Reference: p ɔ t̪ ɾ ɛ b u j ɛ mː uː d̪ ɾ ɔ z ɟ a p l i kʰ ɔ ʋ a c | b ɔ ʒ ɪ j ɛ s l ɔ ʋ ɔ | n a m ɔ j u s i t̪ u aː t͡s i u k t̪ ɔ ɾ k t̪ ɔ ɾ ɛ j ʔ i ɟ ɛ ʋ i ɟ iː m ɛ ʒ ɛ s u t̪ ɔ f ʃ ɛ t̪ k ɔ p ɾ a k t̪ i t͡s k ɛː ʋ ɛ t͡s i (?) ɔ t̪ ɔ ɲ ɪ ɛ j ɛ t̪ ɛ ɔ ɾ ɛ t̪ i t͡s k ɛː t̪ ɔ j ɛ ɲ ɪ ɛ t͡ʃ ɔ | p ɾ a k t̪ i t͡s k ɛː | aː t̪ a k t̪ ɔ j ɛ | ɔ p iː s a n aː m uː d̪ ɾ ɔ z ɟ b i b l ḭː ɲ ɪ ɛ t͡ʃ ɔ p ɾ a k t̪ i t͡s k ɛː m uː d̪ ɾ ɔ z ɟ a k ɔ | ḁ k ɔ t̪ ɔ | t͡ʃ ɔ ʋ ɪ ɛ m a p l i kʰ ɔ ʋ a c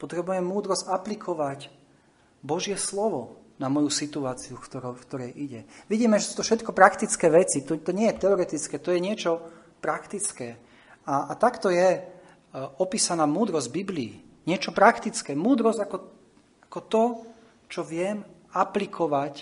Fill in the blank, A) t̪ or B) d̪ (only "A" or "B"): A